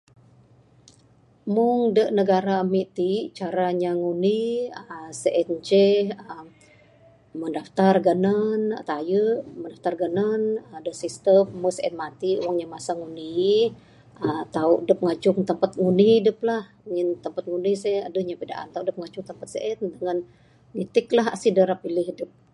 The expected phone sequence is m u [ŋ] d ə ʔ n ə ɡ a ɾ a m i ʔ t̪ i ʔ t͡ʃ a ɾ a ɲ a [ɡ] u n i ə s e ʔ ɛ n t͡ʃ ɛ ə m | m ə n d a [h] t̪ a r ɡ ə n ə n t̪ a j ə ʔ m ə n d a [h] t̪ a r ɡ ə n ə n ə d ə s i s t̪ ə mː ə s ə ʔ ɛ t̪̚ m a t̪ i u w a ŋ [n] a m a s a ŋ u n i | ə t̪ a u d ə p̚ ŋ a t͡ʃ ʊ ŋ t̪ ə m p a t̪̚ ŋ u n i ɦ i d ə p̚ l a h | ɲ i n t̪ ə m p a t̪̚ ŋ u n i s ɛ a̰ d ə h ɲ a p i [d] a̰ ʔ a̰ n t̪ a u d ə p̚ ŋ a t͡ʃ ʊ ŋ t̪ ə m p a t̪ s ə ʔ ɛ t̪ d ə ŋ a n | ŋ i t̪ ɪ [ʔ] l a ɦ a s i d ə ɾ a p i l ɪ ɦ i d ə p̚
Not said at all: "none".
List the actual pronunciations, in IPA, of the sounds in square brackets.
ŋ, ŋ, f, f, ɲ, d, k

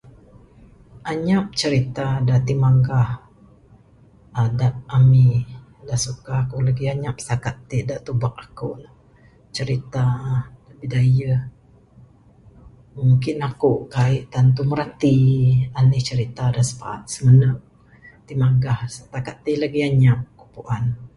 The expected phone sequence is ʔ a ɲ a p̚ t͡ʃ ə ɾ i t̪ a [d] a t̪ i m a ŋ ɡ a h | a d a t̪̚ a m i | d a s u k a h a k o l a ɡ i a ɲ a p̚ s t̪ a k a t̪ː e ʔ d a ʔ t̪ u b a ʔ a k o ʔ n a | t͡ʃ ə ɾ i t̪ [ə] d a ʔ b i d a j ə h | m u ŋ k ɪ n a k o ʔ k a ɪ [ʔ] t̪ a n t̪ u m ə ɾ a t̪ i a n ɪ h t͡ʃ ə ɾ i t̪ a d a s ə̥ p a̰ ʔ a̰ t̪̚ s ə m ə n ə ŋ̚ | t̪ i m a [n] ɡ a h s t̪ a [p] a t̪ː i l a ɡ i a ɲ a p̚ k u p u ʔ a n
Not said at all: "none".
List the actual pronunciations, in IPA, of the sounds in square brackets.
d, a, ʔ, ŋ, k

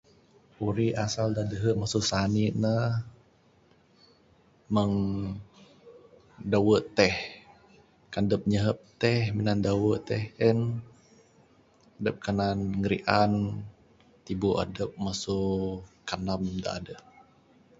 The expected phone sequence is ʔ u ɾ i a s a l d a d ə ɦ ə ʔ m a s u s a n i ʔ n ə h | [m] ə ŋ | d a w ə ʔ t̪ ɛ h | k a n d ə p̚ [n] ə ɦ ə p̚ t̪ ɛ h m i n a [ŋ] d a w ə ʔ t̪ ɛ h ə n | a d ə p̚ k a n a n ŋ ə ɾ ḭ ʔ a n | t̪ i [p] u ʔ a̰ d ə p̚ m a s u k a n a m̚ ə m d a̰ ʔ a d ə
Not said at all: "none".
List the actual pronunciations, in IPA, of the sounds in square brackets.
m, ɲ, n, b

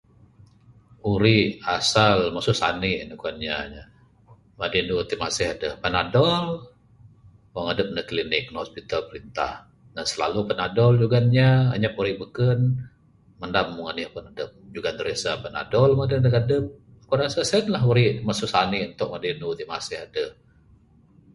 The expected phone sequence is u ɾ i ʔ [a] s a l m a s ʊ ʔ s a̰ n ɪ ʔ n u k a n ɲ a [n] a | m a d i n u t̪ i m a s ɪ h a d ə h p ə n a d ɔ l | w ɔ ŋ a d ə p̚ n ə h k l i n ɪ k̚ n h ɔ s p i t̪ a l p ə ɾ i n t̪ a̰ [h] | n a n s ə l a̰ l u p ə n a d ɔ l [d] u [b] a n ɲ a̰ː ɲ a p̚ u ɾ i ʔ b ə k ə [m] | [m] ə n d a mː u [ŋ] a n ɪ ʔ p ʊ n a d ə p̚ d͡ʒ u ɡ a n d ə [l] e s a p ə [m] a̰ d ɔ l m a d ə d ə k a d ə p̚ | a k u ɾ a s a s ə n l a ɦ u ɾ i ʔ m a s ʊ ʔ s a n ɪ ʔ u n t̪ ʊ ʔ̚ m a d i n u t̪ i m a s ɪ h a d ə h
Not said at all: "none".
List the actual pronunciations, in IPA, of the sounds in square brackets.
a, ɲ, h, d͡ʒ, ɡ, n, m, ŋ, ɾ, n

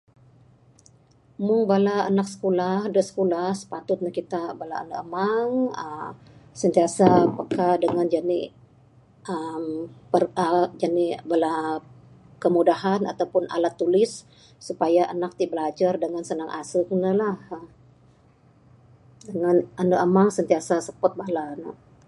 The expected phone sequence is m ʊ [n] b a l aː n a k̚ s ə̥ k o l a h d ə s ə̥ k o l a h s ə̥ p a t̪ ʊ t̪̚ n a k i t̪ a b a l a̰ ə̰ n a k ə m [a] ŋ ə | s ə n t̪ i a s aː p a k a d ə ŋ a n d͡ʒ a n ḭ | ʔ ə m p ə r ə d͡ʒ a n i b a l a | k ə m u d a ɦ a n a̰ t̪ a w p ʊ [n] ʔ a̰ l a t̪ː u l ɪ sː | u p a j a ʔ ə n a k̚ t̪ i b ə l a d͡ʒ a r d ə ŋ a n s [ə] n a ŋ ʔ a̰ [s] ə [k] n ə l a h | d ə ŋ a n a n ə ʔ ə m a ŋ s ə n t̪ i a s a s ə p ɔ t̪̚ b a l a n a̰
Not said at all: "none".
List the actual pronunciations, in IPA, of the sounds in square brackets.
ŋ, a, n, ə, s, k

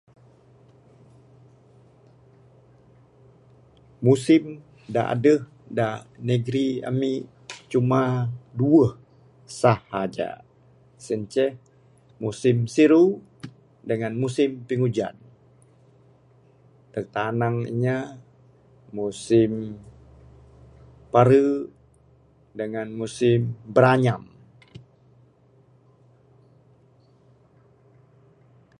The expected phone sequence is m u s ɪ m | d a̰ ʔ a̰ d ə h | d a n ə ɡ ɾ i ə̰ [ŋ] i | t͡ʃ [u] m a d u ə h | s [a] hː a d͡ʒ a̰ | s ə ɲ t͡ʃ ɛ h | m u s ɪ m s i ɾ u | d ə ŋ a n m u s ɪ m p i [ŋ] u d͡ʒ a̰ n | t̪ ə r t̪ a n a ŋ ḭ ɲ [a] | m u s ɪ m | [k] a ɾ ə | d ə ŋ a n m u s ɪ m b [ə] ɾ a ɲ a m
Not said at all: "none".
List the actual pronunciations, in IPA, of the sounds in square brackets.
m, u, a, ŋ, a, p, ə

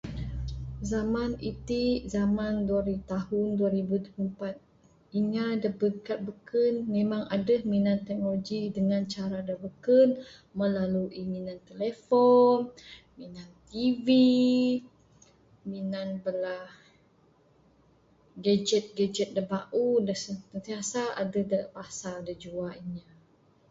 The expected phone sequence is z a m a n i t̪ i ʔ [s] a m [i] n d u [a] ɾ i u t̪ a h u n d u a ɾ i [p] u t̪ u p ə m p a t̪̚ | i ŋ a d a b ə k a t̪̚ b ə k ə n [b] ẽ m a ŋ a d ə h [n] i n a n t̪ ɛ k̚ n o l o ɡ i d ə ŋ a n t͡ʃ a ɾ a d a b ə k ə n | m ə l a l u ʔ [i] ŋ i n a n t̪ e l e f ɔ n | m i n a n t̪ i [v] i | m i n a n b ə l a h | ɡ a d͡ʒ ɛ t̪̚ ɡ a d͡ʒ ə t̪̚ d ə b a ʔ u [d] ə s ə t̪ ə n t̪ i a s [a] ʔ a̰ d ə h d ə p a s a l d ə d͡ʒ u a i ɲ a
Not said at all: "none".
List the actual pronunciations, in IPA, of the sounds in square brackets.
z, a, a, b, m, m, i, v, d, a

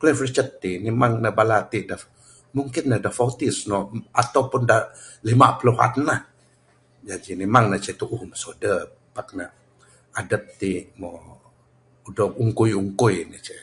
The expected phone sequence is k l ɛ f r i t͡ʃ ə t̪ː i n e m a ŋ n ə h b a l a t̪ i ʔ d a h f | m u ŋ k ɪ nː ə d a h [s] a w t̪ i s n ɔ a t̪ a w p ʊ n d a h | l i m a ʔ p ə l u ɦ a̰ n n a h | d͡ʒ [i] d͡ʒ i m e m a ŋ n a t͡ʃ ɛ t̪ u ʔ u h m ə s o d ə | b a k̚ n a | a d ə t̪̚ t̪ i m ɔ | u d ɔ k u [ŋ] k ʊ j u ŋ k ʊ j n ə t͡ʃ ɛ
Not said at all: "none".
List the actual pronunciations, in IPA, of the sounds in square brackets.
f, a, ŋ

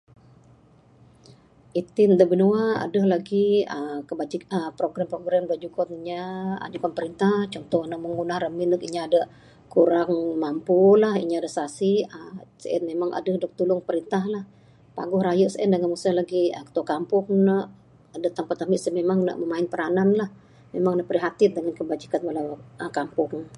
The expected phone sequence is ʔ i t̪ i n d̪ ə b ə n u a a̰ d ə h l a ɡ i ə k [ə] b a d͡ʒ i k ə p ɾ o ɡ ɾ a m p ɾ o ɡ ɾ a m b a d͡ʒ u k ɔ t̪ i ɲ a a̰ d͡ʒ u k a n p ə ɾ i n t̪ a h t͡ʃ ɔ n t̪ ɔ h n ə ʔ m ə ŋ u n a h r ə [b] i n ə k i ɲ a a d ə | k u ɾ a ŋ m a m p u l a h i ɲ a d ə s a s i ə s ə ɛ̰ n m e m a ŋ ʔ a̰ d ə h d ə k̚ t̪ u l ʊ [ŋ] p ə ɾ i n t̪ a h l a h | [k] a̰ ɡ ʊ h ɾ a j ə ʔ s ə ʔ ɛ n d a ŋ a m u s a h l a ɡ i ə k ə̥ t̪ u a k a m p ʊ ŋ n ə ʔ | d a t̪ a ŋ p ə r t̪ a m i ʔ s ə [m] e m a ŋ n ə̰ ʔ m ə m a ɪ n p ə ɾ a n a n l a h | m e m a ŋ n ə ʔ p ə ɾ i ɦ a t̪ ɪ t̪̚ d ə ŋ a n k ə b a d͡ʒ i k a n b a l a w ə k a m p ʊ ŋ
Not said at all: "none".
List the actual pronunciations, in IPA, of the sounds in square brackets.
ə, m, ŋ, p, m

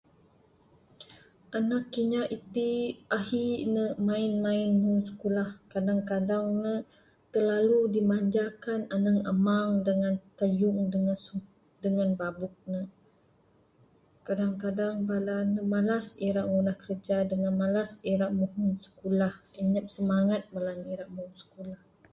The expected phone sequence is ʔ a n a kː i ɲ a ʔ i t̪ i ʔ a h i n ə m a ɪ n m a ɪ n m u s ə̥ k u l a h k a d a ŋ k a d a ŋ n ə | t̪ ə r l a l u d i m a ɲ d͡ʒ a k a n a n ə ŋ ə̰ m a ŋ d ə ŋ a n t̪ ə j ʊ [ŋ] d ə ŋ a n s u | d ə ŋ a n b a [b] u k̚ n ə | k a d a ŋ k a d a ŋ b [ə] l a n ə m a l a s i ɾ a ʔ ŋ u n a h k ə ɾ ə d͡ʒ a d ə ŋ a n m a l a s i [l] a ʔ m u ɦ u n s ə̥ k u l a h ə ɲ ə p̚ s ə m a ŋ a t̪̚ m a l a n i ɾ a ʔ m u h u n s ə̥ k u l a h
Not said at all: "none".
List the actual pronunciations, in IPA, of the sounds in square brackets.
ŋ, b, a, ɾ

